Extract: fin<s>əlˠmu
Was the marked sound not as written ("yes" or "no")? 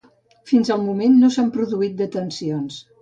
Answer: yes